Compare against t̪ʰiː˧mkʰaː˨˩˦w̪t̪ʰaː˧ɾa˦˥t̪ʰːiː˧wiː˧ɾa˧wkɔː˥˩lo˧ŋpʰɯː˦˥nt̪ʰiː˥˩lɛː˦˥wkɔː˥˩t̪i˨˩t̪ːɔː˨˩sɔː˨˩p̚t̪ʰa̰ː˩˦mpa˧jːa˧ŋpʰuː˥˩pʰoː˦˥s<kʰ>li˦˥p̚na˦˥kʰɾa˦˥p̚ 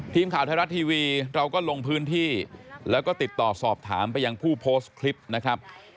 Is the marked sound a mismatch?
no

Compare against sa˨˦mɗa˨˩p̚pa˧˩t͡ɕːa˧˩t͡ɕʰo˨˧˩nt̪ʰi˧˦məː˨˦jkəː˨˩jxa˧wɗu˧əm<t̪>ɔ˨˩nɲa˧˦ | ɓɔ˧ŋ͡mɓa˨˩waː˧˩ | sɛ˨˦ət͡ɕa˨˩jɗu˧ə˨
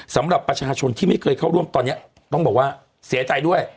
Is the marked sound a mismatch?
no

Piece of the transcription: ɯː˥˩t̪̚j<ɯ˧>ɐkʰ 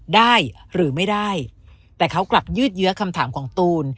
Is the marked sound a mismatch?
yes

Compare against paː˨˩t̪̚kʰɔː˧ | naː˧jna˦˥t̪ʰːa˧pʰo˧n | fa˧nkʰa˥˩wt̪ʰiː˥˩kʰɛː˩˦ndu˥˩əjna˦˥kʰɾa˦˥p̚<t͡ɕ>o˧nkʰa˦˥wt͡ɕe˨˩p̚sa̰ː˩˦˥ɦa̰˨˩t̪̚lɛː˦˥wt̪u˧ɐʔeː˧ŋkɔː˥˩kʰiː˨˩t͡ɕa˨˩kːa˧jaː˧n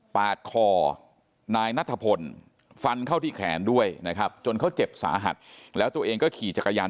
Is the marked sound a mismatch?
no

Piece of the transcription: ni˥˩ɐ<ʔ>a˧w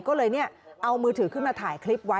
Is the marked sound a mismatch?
no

